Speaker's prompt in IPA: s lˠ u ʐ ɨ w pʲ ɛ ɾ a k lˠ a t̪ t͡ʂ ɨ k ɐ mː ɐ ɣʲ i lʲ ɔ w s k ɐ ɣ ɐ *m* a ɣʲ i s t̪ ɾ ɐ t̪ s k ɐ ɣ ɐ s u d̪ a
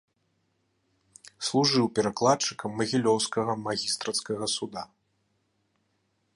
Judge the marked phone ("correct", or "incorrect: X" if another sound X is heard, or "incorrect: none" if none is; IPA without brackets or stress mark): correct